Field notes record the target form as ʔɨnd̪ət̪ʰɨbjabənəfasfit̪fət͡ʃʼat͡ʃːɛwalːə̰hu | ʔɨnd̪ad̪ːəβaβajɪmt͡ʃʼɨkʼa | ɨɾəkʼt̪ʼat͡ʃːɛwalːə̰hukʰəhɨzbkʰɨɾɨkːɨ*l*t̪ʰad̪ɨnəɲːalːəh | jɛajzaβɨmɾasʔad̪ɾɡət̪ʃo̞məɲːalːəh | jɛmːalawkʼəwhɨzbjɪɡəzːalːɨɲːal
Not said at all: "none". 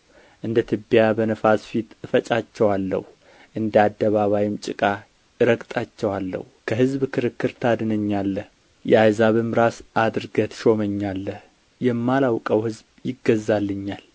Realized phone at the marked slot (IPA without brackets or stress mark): ɾ